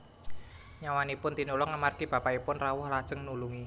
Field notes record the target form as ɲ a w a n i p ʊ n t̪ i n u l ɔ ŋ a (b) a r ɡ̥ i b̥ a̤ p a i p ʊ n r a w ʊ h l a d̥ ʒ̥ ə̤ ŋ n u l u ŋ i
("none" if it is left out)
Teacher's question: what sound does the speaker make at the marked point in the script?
m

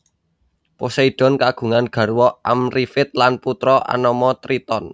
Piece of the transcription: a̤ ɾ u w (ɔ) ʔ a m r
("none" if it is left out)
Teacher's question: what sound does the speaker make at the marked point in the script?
ɔ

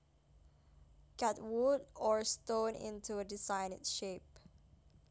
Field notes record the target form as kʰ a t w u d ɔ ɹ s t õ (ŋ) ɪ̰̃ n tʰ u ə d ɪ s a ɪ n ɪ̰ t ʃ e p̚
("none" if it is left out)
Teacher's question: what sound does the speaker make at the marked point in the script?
n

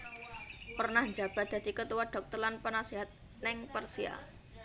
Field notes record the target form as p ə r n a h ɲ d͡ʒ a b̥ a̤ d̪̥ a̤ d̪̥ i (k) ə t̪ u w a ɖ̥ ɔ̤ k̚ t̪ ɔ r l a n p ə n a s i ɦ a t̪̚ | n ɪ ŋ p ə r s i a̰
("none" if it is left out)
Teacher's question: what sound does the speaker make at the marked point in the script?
k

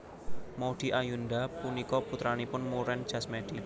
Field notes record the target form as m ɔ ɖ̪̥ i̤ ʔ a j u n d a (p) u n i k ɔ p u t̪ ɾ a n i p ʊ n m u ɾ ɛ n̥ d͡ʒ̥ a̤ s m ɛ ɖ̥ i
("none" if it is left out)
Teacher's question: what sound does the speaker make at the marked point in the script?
p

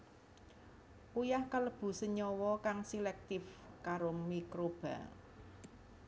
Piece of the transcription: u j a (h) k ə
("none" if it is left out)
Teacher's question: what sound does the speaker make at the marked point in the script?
h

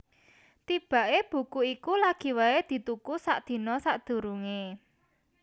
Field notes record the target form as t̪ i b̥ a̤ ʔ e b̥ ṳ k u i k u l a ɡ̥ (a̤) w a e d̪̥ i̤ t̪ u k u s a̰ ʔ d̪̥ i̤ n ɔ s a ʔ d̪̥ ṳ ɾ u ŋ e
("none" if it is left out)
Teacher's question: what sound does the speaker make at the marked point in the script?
i̤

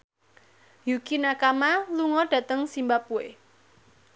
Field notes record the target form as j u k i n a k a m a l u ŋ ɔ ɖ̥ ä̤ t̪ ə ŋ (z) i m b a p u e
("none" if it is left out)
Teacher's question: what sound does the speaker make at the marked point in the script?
s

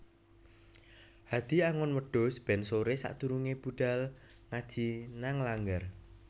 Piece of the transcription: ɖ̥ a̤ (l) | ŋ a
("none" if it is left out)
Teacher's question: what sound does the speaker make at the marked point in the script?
l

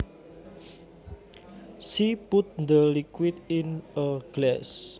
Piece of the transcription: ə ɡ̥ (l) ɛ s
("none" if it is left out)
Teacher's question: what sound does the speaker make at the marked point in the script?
l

